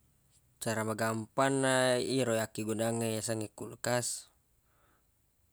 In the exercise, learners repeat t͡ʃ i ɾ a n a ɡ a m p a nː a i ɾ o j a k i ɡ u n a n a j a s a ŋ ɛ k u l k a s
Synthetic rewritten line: t͡ʃ a ɾ a m a ɡ a m p a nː a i ɾ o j a k i ɡ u n a ŋ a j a s a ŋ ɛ k u l k a s